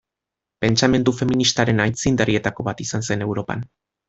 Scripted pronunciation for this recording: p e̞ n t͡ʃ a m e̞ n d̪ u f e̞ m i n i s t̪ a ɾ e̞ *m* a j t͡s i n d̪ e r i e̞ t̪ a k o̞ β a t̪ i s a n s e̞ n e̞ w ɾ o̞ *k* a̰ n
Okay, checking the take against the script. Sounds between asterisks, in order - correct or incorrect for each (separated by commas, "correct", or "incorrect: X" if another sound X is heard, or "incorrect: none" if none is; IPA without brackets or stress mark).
incorrect: n, incorrect: p